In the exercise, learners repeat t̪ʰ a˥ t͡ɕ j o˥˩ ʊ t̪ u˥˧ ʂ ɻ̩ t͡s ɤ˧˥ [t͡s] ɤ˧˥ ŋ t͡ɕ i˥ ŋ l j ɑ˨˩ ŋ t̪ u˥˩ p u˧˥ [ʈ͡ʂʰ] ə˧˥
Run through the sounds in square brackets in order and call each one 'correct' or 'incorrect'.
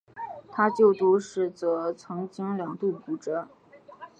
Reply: incorrect: t͡sʰ, incorrect: ʈ͡ʂ

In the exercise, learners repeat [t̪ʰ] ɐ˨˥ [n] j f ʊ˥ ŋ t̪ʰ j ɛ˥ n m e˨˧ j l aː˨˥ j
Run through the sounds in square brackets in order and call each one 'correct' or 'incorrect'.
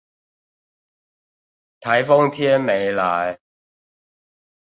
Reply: correct, incorrect: none

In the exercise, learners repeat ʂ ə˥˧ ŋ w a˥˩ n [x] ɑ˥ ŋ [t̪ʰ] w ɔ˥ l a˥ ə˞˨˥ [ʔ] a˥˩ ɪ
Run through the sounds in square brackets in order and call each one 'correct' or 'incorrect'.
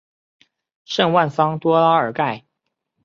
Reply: incorrect: f, incorrect: t̪, incorrect: k

